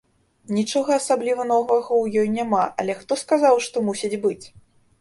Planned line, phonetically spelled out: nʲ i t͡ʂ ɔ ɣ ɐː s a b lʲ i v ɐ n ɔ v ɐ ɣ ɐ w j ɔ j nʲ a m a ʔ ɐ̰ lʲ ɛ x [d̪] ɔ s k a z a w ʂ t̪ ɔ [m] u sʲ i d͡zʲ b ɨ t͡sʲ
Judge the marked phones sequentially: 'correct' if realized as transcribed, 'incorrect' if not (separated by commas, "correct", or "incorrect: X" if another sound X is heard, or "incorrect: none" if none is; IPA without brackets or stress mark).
incorrect: t̪, correct